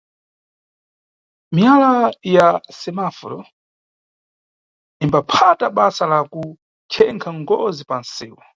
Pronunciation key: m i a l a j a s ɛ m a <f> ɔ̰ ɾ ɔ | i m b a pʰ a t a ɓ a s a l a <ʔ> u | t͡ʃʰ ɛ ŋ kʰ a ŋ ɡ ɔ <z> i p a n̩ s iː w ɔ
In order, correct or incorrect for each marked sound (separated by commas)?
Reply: correct, incorrect, correct